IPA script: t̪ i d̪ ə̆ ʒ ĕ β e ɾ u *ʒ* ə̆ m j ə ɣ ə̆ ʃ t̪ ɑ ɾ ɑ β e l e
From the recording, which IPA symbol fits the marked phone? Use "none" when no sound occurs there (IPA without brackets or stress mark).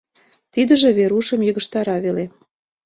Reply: ʃ